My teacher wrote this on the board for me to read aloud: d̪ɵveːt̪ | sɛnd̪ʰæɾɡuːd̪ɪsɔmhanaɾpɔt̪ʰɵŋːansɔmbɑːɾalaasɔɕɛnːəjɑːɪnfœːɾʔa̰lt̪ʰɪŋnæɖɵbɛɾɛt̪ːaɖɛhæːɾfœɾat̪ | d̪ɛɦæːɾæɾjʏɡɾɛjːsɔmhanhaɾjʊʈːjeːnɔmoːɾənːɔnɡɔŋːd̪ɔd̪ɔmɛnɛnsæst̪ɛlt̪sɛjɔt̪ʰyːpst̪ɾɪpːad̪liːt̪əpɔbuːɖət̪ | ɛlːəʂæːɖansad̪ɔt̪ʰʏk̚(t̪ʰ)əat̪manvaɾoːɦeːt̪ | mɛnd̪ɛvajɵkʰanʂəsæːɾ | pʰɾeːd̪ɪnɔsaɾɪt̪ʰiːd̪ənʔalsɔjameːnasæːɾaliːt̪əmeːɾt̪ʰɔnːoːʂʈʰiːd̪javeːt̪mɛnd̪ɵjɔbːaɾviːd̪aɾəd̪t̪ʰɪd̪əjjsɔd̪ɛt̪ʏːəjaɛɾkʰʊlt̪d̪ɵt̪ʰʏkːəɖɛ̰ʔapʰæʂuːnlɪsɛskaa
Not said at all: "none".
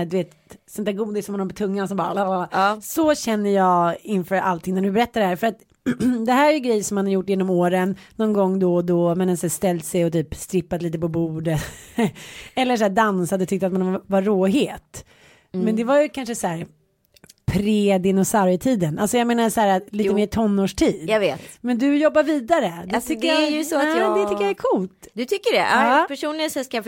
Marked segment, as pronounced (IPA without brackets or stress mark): t̪